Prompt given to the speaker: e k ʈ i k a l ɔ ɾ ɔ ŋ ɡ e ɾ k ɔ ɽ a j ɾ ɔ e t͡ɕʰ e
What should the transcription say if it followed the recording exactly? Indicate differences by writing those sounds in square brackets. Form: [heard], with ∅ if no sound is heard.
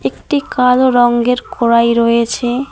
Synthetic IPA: e k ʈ i k a l [o] ɾ ɔ ŋ ɡ e ɾ k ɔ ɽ a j ɾ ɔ e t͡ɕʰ e

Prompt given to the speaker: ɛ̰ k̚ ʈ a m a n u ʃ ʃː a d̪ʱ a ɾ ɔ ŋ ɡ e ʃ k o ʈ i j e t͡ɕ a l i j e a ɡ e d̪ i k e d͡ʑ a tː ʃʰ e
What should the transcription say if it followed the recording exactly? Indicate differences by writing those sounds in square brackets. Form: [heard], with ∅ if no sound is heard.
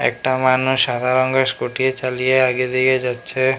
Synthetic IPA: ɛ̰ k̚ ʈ a m a n u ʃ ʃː a d̪ʱ a ɾ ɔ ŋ ɡ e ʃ k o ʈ i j e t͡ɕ a l i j e a ɡ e d̪ i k e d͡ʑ a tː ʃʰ e

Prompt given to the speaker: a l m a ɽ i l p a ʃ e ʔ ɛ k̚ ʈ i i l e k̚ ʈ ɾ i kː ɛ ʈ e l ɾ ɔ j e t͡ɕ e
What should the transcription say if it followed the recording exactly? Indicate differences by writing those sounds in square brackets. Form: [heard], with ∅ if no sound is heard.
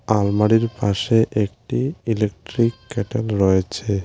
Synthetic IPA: a l m a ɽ i [ɾ] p a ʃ e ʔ [e] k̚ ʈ i i l e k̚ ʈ ɾ i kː ɛ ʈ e l ɾ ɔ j e [t͡ɕʰ] e

